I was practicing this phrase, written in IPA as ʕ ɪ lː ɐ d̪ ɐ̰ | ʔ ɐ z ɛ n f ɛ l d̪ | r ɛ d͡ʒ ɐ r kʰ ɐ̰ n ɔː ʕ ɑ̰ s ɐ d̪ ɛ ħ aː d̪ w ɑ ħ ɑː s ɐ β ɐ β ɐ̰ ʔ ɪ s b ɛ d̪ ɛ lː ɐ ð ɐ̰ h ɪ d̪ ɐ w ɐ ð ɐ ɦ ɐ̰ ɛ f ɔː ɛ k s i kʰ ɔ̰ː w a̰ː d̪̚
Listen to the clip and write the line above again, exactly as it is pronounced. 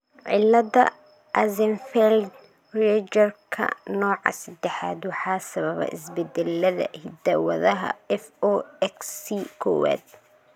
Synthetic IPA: ʕ ɪ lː ɐ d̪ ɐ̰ | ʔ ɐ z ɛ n f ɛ l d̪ | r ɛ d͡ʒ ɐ r kʰ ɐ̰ n ɔː ʕ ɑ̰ s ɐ d̪ ɛ ħ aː d̪ w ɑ ħ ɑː s ɐ β ɐ β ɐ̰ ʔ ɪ s b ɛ d̪ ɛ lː ɐ ð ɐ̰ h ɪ d̪ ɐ w ɐ ð ɐ ɦ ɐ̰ ɛ f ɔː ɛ k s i kʰ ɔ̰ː w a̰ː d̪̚